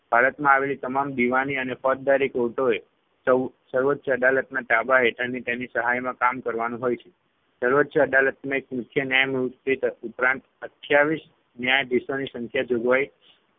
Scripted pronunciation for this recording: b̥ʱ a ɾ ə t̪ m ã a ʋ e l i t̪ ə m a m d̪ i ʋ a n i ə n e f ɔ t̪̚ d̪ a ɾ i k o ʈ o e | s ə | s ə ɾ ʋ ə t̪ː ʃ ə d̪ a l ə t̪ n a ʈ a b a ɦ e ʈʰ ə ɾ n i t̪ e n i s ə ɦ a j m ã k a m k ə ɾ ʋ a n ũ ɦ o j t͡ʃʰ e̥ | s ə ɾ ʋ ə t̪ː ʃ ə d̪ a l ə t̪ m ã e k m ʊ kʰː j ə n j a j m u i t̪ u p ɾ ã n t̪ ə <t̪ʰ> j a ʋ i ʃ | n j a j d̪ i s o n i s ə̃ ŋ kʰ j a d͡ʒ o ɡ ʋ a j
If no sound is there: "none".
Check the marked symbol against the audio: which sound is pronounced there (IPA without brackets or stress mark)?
t̪ʰ